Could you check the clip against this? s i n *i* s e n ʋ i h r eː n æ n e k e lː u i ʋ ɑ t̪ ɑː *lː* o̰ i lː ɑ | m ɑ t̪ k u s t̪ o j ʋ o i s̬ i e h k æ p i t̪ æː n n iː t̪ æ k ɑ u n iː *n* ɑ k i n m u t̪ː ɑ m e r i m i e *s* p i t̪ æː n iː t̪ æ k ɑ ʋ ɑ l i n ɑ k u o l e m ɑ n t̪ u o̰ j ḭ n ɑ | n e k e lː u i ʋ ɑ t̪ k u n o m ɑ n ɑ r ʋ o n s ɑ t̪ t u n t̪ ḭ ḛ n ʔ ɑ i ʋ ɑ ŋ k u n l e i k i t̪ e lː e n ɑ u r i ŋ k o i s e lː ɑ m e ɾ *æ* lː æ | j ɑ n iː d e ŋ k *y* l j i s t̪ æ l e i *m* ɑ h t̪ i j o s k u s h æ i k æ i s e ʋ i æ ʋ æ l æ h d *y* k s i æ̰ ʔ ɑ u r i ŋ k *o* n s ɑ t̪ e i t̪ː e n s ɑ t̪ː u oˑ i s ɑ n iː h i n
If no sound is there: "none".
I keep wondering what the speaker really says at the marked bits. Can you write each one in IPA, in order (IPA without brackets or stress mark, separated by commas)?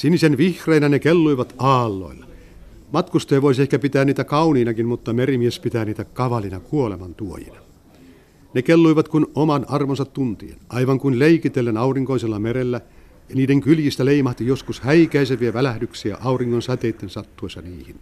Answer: i, lː, n, s, e, y, m, y, o